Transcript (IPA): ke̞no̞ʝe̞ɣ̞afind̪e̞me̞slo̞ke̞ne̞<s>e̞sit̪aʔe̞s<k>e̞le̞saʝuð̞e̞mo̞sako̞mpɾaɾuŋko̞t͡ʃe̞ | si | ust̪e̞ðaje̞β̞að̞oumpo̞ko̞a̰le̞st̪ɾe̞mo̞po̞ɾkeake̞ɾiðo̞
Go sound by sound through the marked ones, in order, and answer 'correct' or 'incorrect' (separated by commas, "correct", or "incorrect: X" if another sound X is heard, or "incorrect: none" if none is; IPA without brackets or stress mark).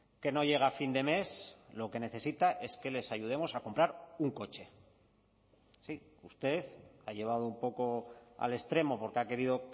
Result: incorrect: θ, correct